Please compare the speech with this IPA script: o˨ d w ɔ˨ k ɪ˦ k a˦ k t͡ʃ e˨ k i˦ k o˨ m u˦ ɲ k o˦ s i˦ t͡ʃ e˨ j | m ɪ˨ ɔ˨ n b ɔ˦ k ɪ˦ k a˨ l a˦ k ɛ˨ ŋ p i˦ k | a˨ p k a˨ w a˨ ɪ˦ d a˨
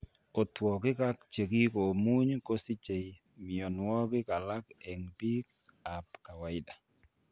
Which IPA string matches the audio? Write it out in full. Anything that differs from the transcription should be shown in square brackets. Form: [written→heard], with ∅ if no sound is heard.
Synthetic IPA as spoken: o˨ [d→t] w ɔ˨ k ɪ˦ k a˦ k t͡ʃ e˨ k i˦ k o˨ m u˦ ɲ k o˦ s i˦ t͡ʃ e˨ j | m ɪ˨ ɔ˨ n [b→w] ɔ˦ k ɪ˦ k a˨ l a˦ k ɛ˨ ŋ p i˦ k | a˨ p k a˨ w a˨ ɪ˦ d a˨